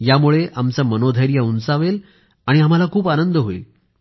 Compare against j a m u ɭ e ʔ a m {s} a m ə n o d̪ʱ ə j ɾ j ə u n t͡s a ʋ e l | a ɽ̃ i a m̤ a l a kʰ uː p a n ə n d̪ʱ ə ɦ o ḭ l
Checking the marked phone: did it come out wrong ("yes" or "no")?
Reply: yes